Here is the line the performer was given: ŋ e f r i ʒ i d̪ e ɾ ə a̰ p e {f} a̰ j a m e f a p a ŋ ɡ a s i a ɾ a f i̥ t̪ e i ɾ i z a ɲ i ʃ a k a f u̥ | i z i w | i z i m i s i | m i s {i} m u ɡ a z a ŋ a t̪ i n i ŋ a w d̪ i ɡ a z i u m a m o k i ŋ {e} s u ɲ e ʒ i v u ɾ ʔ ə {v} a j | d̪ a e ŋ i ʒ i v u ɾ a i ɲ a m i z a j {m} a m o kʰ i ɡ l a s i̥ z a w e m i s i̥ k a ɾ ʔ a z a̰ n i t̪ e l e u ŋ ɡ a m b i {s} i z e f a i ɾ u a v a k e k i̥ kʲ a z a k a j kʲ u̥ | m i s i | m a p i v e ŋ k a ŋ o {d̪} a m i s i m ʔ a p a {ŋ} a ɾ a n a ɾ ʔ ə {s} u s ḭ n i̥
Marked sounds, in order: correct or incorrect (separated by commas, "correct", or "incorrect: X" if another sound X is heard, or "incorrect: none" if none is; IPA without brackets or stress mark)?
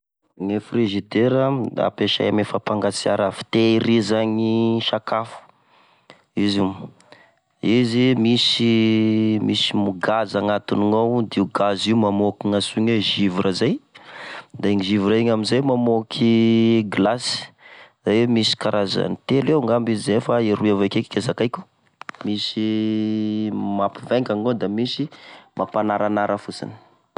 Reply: incorrect: ʃ, correct, incorrect: a, incorrect: z, correct, incorrect: z, correct, incorrect: n, incorrect: f